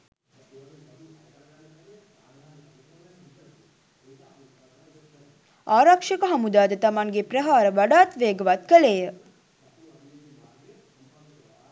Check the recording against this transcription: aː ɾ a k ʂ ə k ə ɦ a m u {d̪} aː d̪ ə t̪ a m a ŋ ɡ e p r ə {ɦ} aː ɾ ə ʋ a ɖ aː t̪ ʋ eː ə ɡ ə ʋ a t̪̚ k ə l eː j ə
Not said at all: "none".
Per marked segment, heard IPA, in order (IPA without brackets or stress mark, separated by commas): d̪, ɦ